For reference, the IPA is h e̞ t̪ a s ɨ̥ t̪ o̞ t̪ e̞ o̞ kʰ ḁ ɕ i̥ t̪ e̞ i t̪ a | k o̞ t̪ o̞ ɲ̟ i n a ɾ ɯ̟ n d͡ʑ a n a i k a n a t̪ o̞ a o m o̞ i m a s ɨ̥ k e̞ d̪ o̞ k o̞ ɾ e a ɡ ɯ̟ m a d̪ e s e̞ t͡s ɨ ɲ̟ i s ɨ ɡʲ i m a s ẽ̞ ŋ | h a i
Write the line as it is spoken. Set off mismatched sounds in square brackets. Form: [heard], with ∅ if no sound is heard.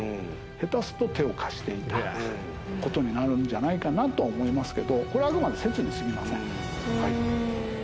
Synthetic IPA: h e̞ t̪ a s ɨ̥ t̪ o̞ t̪ e̞ o̞ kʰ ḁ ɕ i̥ t̪ e̞ i t̪ a | k o̞ t̪ o̞ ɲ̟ i n a ɾ ɯ̟ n d͡ʑ a n a i k a n a t̪ o̞ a o m o̞ i m a s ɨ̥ k e̞ d̪ o̞ k o̞ ɾ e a ɡ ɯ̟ m a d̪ e s e̞ t͡s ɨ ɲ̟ i s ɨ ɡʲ i m a s ẽ̞ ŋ | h a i